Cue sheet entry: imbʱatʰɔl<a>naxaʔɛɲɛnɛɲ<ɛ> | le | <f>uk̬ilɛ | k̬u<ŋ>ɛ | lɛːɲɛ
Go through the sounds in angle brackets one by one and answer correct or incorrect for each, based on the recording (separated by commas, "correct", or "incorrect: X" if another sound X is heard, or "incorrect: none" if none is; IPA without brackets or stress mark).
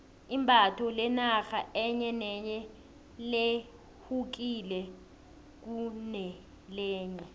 incorrect: ɛ, correct, incorrect: h, incorrect: n